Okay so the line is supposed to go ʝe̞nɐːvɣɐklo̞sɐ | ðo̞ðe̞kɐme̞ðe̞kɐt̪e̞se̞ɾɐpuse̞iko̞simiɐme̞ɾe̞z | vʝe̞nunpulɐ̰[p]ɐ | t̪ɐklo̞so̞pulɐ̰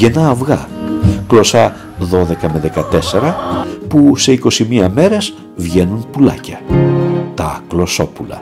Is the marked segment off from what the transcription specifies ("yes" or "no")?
yes